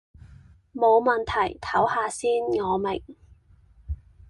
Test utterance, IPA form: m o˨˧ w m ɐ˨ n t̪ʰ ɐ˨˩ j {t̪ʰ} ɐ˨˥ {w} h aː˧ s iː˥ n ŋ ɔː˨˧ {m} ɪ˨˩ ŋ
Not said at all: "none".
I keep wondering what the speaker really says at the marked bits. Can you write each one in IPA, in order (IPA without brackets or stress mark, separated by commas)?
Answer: t̪ʰ, w, m